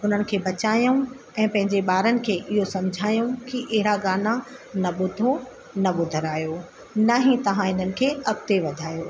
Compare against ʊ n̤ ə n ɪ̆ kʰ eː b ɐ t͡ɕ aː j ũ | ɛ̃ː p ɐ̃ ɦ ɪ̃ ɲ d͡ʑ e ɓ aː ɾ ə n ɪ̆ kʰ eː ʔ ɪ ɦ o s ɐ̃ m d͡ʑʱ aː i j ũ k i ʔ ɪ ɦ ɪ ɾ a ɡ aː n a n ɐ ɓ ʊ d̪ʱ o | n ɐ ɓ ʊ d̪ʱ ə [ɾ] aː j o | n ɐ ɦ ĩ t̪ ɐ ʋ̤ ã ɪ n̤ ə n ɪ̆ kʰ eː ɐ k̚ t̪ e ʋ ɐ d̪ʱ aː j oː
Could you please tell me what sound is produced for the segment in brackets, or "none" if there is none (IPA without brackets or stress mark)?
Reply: ɾ